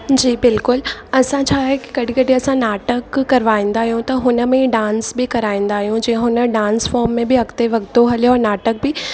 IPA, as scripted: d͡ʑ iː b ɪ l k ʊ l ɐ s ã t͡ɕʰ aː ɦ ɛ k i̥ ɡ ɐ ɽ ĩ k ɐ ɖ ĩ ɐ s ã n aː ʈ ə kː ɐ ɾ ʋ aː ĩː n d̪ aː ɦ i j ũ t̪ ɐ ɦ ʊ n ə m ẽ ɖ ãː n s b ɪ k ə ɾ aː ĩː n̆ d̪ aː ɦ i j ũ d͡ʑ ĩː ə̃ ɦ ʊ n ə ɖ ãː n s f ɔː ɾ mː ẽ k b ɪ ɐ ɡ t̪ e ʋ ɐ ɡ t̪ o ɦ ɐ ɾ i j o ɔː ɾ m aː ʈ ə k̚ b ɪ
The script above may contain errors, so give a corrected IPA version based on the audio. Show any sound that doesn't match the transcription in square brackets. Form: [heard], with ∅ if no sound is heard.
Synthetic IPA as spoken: d͡ʑ iː b ɪ l k ʊ l ɐ s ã t͡ɕʰ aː ɦ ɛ k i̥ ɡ ɐ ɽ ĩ k ɐ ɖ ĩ ɐ s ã n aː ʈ ə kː ɐ ɾ ʋ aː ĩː n d̪ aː ɦ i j ũ t̪ ɐ ɦ ʊ n ə m ẽ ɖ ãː n s b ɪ k [ɐ] ɾ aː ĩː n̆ d̪ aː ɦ i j ũ d͡ʑ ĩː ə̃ ɦ ʊ n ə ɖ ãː n s f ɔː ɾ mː ẽ [∅] b ɪ ɐ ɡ t̪ e ʋ ɐ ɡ t̪ o ɦ ɐ [l] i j o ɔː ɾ [n] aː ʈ ə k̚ b ɪ